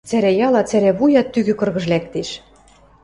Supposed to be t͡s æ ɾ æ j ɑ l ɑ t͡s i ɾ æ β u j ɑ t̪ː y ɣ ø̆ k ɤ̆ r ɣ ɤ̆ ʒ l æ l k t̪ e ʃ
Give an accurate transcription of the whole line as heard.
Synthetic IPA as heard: t͡s æ ɾ æ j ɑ l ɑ t͡s æ ɾ æ β u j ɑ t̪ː y ɣ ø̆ k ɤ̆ r ɣ ɤ̆ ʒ l æ k t̪ e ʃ